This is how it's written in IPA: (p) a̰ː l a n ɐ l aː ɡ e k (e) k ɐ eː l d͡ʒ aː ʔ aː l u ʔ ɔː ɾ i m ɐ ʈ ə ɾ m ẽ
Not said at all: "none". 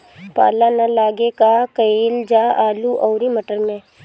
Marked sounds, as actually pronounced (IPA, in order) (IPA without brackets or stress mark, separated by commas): p, a